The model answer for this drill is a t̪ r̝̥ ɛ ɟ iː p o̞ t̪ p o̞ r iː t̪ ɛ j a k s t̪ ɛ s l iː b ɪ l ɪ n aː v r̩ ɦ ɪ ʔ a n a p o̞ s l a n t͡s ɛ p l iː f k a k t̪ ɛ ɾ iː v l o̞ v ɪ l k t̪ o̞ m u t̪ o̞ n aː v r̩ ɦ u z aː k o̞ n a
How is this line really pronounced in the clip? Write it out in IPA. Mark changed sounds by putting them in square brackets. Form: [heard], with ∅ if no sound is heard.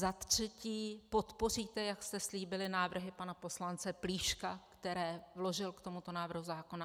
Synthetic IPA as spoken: a t̪ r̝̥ ɛ [c] iː p o̞ t̪ p o̞ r iː t̪ ɛ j a k s t̪ ɛ s l iː b ɪ l ɪ n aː v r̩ ɦ ɪ [p] a n a p o̞ s l a n t͡s ɛ p l iː [ʃ] k a k t̪ ɛ ɾ [ɛː] v l o̞ [ʒ] ɪ l k t̪ o̞ m u t̪ o̞ n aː v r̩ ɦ u z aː k o̞ n a